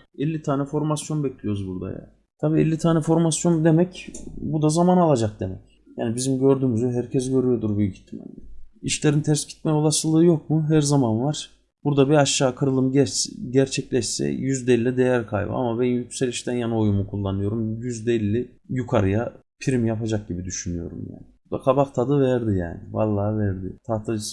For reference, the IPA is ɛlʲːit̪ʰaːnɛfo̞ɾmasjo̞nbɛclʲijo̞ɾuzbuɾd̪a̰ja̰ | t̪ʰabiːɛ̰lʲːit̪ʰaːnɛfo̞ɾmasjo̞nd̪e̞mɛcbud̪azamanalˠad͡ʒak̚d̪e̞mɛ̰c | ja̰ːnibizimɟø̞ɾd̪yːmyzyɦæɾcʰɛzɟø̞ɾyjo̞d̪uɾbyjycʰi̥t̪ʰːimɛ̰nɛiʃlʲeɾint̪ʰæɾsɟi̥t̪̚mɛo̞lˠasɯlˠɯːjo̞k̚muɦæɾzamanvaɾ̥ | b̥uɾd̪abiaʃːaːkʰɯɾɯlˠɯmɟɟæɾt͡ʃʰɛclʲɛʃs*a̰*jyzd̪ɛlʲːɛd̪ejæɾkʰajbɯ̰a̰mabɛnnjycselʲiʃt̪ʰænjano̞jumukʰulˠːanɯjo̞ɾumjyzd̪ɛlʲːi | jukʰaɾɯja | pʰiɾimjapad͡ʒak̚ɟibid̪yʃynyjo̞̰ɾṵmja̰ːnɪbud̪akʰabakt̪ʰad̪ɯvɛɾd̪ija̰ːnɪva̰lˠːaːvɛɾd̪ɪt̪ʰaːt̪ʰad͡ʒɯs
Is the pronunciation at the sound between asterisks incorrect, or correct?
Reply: incorrect